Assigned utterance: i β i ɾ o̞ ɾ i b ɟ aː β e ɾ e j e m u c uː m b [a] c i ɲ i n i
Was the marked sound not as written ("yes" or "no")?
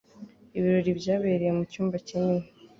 no